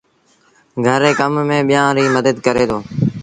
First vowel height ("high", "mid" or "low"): mid